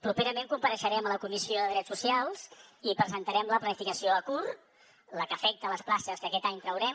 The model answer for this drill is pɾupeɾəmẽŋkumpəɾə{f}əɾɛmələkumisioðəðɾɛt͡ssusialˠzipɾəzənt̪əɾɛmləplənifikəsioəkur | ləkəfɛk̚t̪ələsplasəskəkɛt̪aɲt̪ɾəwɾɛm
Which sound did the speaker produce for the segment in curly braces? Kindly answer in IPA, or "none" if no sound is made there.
ʃ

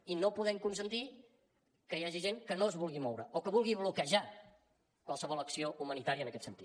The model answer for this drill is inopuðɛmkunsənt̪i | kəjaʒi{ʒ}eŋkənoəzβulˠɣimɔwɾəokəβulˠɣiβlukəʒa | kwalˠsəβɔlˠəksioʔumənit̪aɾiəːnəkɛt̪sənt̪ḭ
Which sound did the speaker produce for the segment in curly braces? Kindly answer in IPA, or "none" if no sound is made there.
ʒ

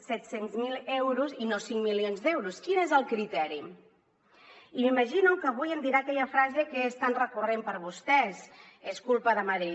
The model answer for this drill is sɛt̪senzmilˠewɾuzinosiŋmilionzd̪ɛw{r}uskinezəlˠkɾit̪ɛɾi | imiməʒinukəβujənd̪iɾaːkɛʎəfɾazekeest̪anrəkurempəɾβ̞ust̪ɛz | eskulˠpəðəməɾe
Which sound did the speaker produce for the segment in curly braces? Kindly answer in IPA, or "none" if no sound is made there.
ɾ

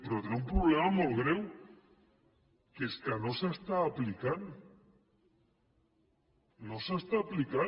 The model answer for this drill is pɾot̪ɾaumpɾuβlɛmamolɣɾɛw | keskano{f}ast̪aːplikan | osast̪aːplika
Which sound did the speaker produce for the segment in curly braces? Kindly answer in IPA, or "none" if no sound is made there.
s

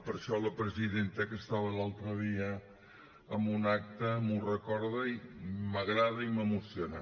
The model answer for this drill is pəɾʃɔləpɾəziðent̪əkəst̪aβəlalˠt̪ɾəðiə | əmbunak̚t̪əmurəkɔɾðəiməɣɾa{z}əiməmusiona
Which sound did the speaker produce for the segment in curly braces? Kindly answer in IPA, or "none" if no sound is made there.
ð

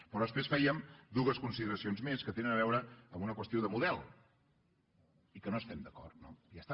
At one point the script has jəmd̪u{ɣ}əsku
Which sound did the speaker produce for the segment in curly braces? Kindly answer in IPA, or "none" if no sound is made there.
ɣ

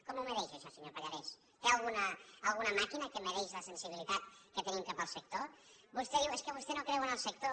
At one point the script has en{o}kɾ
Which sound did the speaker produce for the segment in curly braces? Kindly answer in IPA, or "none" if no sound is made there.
o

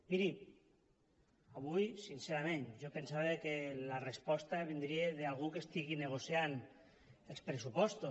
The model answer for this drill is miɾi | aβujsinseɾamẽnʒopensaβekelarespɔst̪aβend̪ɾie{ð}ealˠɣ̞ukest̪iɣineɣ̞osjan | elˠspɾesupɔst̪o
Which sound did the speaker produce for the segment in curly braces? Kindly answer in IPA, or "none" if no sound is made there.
ð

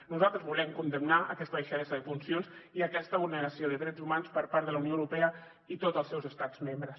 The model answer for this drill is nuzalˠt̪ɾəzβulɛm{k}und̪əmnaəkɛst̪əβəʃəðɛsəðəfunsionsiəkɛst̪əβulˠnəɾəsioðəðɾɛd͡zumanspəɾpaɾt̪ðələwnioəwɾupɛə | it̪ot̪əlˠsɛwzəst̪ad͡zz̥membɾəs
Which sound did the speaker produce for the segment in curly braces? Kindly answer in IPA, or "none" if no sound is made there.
k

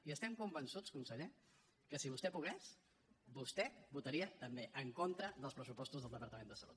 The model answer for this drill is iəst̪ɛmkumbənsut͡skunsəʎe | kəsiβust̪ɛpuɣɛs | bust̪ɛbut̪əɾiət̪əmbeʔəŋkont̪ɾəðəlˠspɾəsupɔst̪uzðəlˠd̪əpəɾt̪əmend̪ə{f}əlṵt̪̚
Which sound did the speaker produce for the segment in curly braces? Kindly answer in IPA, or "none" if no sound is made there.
s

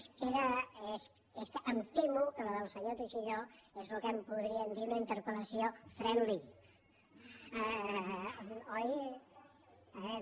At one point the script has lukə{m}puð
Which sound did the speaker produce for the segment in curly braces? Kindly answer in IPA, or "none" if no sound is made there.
m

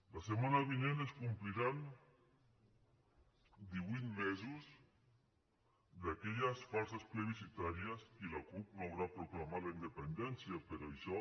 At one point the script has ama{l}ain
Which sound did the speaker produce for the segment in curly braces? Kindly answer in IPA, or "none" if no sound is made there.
l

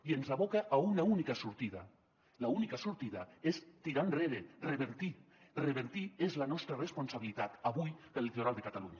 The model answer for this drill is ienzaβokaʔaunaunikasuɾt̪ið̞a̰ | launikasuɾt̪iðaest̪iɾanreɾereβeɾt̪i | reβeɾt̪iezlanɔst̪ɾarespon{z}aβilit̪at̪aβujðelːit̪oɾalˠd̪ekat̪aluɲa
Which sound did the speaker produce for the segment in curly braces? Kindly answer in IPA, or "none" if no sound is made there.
s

